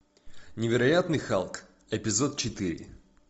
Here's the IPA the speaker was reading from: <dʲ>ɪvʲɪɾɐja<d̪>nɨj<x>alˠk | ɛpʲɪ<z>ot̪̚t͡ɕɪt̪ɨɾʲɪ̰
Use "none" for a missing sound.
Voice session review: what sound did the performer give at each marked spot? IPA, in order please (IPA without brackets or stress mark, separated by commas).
nʲ, t̪, x, z